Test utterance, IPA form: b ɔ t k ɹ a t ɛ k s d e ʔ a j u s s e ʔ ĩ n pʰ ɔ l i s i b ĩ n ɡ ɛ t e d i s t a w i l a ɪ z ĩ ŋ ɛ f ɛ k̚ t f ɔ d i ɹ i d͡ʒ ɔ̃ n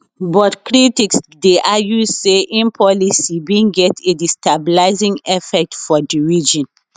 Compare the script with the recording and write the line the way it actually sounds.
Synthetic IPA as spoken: b ɔ t k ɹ i t i k s d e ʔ a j u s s e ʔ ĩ n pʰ ɔ l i s i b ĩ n ɡ ɛ t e d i s t a b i l a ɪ z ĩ ŋ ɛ f ɛ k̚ t f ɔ d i ɹ i d͡ʒ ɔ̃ n